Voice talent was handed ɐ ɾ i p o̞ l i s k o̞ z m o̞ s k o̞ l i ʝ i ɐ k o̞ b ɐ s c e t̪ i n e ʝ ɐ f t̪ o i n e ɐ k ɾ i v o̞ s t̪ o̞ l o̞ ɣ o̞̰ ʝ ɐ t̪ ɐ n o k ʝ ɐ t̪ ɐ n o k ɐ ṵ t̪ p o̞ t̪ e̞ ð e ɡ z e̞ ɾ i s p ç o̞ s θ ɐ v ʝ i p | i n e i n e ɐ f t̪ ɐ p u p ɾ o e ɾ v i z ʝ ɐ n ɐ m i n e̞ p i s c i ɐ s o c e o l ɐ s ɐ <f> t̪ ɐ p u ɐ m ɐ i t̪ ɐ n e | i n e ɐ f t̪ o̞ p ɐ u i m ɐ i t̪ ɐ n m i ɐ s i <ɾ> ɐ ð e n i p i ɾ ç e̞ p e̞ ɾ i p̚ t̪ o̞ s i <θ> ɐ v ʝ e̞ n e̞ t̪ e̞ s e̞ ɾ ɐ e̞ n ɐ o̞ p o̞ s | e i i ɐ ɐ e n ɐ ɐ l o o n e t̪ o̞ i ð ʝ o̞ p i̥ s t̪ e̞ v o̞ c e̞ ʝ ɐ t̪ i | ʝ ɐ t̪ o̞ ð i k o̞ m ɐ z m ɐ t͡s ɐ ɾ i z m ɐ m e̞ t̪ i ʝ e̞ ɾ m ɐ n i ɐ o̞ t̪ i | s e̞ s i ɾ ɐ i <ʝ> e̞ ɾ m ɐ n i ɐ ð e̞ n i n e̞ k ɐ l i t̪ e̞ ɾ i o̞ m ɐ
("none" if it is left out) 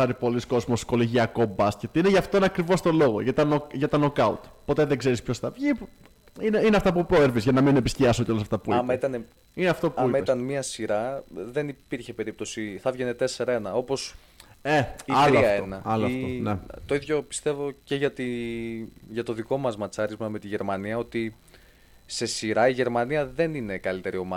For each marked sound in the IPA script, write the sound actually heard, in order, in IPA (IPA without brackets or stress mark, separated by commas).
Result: f, ɾ, θ, ʝ